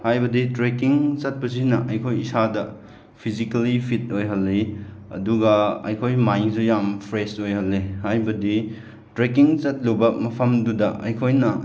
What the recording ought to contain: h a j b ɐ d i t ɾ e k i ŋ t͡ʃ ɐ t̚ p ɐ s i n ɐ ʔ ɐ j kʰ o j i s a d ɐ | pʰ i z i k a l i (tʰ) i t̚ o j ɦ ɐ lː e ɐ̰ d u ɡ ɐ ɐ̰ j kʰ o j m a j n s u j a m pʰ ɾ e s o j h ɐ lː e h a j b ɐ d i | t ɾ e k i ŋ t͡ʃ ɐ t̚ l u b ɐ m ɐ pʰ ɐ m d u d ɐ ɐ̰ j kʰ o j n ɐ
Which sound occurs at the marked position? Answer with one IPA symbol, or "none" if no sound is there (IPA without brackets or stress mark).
pʰ